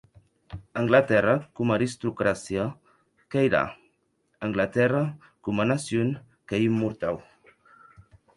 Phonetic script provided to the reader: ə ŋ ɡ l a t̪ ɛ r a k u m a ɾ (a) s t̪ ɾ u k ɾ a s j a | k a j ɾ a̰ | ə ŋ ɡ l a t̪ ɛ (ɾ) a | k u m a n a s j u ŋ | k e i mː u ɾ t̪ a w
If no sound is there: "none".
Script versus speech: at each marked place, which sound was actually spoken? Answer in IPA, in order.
i, r

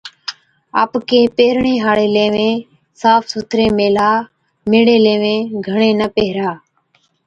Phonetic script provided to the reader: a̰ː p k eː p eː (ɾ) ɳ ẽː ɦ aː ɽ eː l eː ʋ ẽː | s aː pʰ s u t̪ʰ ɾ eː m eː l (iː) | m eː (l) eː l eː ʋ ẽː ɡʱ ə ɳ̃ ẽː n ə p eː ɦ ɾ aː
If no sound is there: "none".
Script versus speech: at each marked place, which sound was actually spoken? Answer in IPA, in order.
ɾ, aː, ɽ

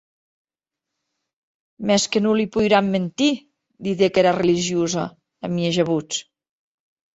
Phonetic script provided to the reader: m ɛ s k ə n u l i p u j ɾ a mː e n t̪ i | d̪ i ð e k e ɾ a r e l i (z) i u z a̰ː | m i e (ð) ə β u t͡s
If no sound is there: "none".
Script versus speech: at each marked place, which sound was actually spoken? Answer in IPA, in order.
ʒ, ʒ

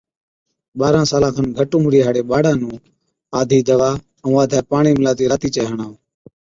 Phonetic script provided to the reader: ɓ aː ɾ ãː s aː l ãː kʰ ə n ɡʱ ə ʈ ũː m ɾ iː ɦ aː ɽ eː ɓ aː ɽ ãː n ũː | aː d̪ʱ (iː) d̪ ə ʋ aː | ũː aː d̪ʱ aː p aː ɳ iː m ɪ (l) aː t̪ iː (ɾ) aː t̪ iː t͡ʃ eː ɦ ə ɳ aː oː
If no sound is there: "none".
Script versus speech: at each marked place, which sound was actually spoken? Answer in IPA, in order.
iː, l, ɾ

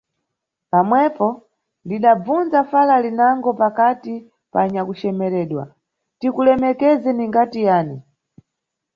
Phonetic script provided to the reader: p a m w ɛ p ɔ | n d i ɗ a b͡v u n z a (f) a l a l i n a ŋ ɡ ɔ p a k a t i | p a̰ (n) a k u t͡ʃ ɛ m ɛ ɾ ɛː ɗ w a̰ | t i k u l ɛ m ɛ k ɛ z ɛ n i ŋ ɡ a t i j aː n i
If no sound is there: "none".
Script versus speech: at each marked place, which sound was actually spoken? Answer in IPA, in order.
f, ɲ

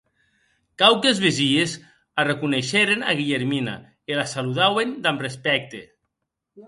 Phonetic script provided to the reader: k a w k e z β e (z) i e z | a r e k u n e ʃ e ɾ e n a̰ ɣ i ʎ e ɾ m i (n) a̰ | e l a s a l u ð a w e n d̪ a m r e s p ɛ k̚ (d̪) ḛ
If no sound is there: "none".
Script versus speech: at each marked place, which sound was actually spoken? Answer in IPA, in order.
z, n, t̪

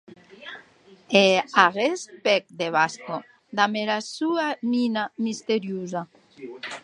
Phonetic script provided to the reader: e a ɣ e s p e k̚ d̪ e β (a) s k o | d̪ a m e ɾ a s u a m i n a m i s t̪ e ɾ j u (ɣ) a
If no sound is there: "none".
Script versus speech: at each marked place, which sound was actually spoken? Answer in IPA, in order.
a, z

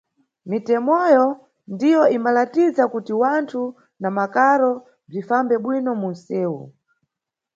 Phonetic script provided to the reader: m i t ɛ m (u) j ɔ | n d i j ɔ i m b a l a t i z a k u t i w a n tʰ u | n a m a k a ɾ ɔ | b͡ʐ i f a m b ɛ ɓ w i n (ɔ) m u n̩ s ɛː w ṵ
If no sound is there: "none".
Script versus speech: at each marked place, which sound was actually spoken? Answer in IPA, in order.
ɔ, ɔ

